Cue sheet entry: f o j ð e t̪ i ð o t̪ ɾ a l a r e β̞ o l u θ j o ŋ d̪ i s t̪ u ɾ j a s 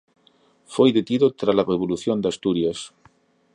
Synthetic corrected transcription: f o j ð e t̪ i ð o t̪ ɾ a l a r e β̞ o l u θ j o n d̪ a s t̪ u ɾ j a s